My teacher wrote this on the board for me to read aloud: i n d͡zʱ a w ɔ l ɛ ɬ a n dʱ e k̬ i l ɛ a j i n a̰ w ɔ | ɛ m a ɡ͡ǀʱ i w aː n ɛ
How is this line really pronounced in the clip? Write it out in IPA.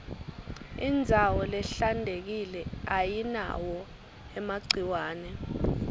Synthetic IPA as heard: i n d͡zʱ a w ɔ l ɛ ɬ a n dʱ e k̬ i l ɛ a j i n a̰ w ɔ | ɛ m a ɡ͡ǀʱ i w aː n ɛ